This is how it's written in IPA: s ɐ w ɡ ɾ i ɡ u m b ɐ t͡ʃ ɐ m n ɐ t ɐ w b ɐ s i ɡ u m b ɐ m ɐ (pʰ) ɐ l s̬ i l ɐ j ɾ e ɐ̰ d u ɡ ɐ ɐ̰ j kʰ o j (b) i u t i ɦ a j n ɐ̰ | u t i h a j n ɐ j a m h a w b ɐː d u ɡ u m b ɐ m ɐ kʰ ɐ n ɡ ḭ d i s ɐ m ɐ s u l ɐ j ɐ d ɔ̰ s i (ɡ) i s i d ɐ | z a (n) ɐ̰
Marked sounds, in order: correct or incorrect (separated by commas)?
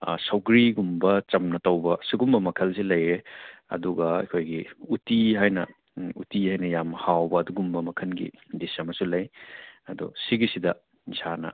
incorrect, incorrect, correct, correct